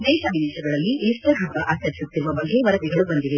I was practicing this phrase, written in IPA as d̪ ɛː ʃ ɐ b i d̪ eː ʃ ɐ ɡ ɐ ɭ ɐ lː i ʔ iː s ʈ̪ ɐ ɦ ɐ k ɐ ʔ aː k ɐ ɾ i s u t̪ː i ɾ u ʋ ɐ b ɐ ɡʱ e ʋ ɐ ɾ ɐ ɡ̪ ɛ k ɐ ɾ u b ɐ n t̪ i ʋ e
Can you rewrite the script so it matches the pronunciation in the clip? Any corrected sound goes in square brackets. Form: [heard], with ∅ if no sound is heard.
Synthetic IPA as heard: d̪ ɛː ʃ ɐ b i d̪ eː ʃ ɐ ɡ ɐ ɭ ɐ lː i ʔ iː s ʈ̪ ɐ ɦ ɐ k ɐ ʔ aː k ɐ ɾ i s u t̪ː i ɾ u ʋ ɐ b ɐ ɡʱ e ʋ ɐ ɾ ɐ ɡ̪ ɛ [ɡ] ɐ [ɭ] u b ɐ n [d̪] i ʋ e